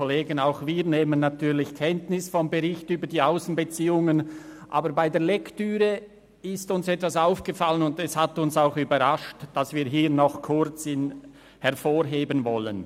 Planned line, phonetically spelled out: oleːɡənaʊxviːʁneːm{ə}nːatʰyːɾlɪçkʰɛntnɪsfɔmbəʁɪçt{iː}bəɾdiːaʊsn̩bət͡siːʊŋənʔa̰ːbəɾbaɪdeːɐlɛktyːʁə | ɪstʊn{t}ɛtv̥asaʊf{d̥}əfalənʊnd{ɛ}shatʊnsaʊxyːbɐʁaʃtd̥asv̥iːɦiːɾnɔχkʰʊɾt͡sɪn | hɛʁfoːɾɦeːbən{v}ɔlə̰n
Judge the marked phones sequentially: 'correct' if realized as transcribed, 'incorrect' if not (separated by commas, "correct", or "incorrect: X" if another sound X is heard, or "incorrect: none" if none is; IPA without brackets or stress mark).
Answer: correct, incorrect: yː, incorrect: s, incorrect: ɡ̥, correct, correct